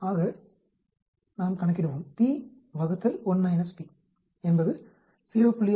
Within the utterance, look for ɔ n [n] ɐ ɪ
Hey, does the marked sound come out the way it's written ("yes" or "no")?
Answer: no